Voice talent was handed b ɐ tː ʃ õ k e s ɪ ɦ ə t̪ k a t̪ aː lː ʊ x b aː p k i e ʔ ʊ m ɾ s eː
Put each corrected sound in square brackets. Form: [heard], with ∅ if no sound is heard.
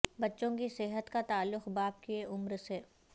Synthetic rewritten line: b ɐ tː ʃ õ k [i] s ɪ ɦ ə t̪ k a t̪ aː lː ʊ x b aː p k i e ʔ ʊ m ɾ s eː